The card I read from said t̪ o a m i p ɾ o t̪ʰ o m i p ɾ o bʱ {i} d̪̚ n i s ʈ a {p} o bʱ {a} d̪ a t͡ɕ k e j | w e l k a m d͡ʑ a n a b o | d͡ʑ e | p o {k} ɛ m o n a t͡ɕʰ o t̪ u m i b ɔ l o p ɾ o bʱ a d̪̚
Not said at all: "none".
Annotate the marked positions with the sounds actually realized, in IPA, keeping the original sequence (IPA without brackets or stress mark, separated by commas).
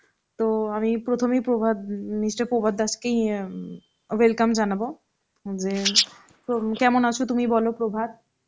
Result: a, p, a, k